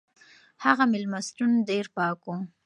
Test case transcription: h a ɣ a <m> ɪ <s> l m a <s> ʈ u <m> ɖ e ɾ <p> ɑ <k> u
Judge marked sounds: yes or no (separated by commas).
yes, no, yes, no, yes, yes